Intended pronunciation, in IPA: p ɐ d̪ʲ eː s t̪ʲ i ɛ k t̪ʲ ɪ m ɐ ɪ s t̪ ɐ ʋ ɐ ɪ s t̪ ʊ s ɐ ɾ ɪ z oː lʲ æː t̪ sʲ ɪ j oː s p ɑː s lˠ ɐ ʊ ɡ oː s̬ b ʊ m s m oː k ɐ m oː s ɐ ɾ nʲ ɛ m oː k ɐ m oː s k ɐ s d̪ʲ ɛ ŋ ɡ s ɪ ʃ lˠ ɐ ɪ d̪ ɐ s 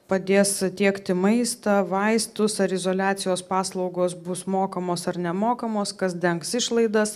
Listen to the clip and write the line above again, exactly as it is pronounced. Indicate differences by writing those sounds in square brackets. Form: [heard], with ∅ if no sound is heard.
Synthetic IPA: p ɐ d̪ʲ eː s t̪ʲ i ɛ k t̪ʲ ɪ m ɐ ɪ s t̪ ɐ ʋ ɐ ɪ s t̪ ʊ s ɐ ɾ ɪ z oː lʲ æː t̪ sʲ ɪ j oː s p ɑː s lˠ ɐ ʊ ɡ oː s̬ b ʊ [∅] s m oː k ɐ m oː s ɐ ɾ nʲ ɛ m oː k ɐ m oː s k ɐ s d̪ʲ ɛ ŋ [k] s ɪ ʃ lˠ ɐ ɪ d̪ ɐ s